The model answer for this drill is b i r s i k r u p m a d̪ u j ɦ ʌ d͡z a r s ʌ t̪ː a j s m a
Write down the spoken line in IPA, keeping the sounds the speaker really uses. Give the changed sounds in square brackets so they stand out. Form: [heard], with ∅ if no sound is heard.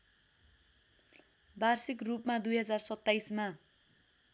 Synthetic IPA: b [a] r s i k r u p m a d̪ u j ɦ ʌ d͡z a r s ʌ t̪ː a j s m a